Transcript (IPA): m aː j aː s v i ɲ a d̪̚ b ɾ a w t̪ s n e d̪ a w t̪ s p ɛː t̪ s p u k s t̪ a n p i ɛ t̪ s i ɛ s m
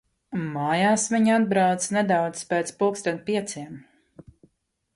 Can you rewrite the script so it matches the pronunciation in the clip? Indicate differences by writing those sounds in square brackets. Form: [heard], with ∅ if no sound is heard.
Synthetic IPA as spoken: m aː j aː s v i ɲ a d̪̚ b ɾ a w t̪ s n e d̪ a w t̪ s p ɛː t̪ s p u k s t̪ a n p i ɛ t̪ s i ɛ [∅] m